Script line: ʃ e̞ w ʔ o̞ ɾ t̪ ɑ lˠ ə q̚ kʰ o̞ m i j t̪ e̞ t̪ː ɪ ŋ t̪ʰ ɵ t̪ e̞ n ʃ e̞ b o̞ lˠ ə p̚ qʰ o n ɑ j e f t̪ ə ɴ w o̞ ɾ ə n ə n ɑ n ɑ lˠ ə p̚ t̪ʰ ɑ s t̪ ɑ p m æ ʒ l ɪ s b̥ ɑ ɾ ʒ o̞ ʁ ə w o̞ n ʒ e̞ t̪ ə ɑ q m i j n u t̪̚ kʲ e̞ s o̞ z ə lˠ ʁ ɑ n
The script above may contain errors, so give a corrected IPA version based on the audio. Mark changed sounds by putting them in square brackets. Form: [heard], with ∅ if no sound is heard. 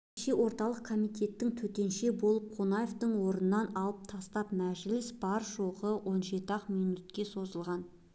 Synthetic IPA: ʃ e̞ w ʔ o̞ ɾ t̪ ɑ lˠ ə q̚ kʰ o̞ m i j t̪ e̞ t̪ː ɪ ŋ t̪ʰ ɵ t̪ e̞ n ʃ e̞ b o̞ lˠ ə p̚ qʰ o n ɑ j e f t̪ ə ɴ w o̞ ɾ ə n ə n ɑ n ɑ lˠ ə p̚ t̪ʰ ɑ s t̪ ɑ p m æ ʒ l ɪ s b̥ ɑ ɾ ʒ o̞ ʁ ə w o̞ n ʒ e̞ t̪ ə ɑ q m i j n u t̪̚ kʲ e̞ s o̞ z ə lˠ ʁ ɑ n